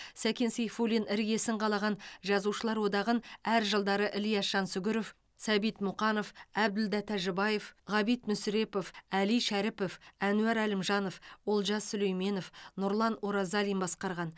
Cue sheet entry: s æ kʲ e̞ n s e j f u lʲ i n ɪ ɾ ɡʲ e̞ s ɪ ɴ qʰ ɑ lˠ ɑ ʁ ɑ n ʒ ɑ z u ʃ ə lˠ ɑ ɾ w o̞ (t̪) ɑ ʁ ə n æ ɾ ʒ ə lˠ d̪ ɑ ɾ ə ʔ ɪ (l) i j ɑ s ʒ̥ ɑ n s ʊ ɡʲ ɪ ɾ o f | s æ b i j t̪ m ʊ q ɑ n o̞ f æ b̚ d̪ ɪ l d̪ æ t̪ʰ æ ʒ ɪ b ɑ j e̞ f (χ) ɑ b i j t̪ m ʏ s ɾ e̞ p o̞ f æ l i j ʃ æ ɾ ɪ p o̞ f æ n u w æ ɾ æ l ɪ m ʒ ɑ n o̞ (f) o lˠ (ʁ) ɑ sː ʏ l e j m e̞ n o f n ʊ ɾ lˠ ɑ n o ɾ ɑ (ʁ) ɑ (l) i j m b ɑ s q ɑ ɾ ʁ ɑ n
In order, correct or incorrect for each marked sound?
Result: incorrect: d̪, correct, incorrect: ʁ, correct, incorrect: ʒ, incorrect: z, correct

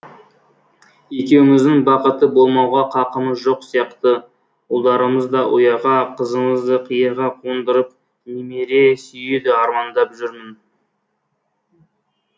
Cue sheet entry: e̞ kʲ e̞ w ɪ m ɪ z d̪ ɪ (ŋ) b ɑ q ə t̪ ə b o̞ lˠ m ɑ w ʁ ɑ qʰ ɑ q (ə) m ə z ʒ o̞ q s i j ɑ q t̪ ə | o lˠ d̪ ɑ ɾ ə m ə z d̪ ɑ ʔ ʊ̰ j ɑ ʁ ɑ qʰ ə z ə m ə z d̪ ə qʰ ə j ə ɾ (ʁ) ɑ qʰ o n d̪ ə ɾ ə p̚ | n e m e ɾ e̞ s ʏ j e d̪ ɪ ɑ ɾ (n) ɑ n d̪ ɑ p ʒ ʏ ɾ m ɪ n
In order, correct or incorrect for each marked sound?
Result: correct, correct, correct, incorrect: m

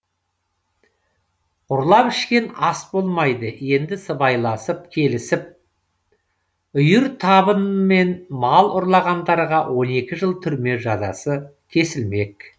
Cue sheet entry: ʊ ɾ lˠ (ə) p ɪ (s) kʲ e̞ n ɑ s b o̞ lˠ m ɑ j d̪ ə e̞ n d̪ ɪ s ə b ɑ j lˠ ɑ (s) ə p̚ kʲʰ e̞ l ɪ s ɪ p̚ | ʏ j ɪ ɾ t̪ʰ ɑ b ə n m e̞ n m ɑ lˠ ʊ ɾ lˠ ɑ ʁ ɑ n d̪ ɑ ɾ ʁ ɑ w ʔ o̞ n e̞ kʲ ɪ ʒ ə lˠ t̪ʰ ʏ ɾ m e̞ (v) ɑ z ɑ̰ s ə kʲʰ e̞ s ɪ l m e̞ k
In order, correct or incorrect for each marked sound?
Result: incorrect: ɑ, incorrect: ʃ, correct, incorrect: ʒ

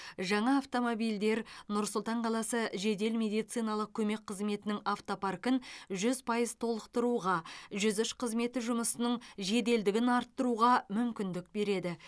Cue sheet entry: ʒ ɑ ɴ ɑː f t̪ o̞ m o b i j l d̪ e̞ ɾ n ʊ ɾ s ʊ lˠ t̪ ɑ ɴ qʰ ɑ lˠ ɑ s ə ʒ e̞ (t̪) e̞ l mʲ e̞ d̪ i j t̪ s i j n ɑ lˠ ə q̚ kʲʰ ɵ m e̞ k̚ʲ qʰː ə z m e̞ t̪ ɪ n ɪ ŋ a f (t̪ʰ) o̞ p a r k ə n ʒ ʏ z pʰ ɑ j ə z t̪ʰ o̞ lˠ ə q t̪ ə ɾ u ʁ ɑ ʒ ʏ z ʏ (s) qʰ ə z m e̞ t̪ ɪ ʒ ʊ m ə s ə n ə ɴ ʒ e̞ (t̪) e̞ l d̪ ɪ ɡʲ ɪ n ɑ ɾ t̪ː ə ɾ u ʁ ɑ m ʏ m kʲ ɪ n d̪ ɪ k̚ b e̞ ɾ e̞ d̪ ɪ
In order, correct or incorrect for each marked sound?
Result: incorrect: d̪, incorrect: t̪, incorrect: ʃ, incorrect: d̪

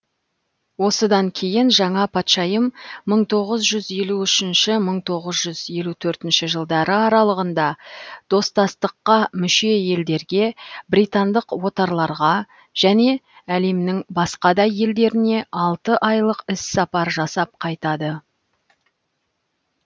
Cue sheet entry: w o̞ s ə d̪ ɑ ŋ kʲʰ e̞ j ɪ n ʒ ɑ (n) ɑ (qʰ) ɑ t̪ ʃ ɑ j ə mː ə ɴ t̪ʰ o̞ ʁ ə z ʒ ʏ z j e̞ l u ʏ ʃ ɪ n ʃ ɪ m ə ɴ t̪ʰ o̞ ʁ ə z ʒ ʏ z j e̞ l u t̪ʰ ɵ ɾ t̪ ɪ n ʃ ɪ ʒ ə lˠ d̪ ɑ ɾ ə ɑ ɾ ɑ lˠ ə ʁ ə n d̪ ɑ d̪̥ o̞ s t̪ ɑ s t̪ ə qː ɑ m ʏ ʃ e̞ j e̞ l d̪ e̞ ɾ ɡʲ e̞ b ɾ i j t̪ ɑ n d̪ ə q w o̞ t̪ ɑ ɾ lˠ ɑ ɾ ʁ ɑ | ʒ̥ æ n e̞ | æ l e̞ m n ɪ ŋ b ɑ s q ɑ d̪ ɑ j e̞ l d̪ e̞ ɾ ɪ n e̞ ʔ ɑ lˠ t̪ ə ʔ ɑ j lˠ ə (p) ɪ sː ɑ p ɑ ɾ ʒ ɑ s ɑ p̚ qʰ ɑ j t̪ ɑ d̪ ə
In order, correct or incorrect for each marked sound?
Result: incorrect: ɴ, incorrect: pʰ, incorrect: q

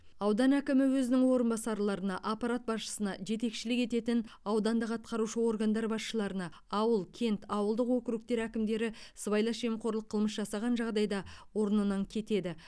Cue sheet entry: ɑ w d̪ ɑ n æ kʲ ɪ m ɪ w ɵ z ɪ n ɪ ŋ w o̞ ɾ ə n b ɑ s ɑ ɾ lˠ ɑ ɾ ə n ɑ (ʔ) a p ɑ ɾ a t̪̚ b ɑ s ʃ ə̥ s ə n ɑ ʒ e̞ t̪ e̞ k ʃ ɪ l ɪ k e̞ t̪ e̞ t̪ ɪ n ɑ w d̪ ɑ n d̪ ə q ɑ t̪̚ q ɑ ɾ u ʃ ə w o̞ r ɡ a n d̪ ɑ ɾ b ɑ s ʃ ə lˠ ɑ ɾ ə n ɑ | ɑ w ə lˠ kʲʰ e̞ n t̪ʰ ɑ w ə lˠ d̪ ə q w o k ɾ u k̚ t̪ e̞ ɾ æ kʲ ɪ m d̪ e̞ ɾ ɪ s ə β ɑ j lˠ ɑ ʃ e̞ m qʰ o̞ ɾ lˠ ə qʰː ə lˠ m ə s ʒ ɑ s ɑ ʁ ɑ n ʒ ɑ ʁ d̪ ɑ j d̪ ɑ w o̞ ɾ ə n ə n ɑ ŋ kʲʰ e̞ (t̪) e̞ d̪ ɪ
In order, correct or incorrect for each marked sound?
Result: correct, correct

